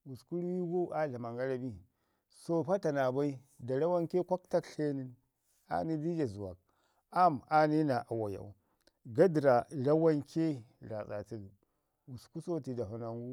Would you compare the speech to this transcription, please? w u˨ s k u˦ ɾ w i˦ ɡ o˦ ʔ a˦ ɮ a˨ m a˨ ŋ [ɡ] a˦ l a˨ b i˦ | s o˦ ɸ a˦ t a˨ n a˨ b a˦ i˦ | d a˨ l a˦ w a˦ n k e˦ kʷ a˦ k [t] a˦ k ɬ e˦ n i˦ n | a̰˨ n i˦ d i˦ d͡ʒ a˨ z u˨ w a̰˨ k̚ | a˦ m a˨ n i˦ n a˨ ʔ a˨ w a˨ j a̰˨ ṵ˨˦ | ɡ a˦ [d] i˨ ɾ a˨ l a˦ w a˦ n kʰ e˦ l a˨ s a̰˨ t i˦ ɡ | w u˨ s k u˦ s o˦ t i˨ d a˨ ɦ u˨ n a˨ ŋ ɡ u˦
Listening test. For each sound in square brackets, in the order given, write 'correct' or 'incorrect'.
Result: correct, correct, correct

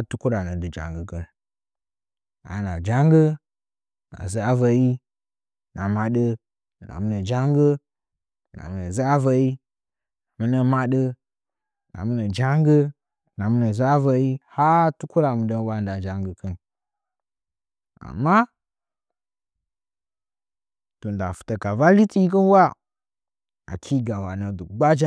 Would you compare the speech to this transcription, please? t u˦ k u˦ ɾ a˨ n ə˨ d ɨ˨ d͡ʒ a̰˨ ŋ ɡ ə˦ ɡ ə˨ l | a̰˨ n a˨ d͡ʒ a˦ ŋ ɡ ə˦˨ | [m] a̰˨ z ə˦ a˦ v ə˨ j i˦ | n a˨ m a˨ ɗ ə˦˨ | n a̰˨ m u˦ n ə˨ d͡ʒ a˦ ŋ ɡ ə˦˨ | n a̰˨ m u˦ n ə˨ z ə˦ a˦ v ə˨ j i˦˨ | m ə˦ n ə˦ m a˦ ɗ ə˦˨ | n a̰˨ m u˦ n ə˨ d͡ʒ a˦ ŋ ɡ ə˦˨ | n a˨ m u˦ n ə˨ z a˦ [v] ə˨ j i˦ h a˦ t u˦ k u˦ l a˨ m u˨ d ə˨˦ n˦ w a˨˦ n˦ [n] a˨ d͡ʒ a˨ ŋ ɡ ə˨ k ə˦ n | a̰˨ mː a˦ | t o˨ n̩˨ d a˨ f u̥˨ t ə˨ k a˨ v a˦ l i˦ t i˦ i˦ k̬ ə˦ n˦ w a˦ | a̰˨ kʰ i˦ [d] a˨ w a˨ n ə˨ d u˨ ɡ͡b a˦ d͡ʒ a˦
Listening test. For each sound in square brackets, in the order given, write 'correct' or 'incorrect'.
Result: incorrect, correct, incorrect, incorrect

